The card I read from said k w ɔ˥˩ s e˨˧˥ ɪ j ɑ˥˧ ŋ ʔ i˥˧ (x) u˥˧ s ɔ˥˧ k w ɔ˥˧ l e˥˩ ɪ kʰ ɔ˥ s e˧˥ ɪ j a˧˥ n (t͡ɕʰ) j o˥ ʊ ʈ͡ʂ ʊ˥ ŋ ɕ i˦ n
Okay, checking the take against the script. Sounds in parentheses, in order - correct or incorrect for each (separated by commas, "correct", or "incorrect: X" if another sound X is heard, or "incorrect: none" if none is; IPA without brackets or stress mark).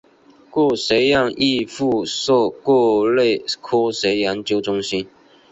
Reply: incorrect: f, incorrect: t͡ɕ